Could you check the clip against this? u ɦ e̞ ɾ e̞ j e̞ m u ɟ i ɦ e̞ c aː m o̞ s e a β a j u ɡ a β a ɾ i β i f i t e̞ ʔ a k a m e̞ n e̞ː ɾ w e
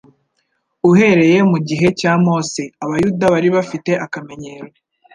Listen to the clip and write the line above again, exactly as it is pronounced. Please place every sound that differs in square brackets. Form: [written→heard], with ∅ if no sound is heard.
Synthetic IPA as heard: u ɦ e̞ ɾ e̞ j e̞ m u ɟ i ɦ e̞ c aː m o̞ s e a β a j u [ɡ→d] a β a ɾ i β [i→a] f i t e̞ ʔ a k a m e̞ [n→ɲ] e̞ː ɾ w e